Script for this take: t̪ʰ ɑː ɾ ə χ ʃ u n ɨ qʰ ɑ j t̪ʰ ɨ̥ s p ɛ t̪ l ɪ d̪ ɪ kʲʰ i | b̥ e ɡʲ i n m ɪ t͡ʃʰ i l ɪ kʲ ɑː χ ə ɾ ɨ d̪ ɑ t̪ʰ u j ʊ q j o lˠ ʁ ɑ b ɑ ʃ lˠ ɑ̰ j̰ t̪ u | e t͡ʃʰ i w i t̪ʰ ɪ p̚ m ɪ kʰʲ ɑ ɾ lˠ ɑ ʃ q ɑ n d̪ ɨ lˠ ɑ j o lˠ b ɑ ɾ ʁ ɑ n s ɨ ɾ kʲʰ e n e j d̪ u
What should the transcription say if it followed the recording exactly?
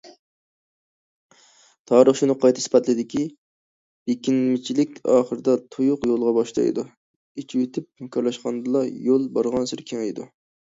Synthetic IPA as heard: t̪ʰ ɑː ɾ ə χ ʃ u n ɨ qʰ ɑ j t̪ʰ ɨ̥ s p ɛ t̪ l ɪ d̪ ɪ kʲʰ i | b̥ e kʲ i n m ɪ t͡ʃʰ i l ɪ kʲ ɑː χ ə ɾ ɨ d̪ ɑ t̪ʰ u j ʊ q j o lˠ ʁ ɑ b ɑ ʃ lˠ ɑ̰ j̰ d̪ u | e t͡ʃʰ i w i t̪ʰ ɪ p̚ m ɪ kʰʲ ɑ ɾ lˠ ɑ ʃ q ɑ n d̪ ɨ lˠ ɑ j o lˠ b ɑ ɾ ʁ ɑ n s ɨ ɾ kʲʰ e ŋ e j d̪ u